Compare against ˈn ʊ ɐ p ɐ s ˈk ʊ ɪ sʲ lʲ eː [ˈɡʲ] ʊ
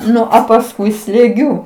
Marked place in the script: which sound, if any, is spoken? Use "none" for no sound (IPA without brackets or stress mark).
ɡʲ